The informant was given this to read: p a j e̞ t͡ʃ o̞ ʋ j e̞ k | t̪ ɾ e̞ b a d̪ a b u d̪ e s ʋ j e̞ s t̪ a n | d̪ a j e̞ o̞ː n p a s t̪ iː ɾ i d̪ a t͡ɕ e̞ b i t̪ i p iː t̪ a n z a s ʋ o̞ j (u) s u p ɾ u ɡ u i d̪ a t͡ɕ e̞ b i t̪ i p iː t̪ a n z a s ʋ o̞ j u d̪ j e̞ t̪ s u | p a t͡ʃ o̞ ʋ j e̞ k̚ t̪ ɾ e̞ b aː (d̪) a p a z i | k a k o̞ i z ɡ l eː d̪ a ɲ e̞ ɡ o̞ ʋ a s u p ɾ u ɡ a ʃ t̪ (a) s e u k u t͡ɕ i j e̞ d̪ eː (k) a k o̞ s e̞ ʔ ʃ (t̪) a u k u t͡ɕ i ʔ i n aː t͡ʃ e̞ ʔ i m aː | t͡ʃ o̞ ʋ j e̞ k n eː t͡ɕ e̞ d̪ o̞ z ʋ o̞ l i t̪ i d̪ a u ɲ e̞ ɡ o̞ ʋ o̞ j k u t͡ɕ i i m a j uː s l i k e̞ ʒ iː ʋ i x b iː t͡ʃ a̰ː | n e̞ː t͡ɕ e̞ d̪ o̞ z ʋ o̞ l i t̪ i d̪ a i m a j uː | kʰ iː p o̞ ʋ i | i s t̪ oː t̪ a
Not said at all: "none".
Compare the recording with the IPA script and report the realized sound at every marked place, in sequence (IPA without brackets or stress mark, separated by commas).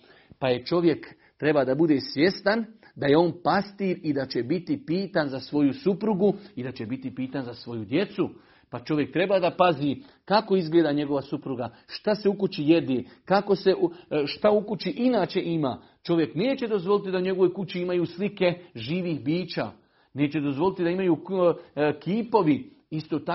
u, d̪, a, k, t̪